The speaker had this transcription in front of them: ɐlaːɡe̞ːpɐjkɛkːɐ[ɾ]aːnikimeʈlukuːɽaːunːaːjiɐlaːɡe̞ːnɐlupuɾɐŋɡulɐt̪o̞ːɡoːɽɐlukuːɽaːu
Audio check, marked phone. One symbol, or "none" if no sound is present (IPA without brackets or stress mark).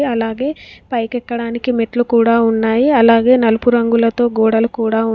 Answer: ɽ